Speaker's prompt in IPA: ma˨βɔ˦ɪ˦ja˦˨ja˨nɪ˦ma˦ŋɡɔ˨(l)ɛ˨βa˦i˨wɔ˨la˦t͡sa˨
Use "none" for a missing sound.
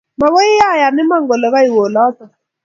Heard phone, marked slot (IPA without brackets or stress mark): l